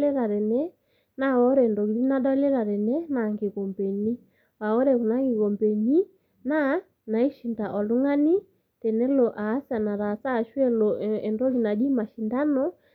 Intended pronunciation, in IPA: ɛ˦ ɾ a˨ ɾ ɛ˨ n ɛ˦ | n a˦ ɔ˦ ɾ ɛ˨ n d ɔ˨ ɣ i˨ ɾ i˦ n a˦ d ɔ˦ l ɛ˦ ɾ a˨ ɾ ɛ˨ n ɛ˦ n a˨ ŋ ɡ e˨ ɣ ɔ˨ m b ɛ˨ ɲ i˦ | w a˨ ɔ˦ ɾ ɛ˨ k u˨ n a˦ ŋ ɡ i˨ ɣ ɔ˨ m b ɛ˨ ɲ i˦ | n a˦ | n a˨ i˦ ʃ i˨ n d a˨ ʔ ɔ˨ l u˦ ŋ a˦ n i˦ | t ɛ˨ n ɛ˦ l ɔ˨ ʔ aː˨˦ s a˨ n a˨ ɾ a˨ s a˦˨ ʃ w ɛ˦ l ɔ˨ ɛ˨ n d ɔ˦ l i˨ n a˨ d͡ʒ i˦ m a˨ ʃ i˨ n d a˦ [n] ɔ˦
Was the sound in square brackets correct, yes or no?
yes